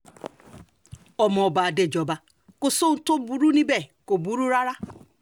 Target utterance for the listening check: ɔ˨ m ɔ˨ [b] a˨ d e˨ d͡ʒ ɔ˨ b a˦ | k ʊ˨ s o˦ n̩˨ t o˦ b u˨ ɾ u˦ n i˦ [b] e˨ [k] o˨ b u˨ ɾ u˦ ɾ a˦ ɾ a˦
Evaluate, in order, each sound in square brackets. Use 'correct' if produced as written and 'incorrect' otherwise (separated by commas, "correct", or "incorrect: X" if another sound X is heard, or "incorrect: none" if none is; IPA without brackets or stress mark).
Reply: correct, correct, correct